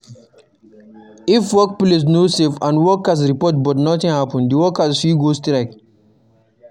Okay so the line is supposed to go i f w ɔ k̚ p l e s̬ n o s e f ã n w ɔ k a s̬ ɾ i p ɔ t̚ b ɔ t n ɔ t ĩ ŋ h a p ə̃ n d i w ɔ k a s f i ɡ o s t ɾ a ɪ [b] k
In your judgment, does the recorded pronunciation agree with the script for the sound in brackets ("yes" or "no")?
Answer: no